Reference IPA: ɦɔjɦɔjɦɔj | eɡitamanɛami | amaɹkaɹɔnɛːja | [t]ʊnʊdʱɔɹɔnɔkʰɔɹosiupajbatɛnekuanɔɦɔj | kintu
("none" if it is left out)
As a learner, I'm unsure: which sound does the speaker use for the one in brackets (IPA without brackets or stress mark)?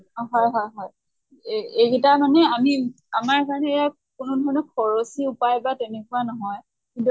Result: k